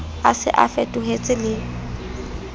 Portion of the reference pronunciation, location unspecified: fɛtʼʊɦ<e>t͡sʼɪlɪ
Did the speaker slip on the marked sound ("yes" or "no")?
no